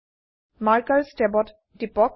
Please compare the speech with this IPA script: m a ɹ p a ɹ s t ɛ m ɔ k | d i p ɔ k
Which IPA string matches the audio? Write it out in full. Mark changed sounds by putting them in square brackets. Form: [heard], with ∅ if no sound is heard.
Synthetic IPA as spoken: m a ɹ [k] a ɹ s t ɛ [b] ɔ [t] | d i p ɔ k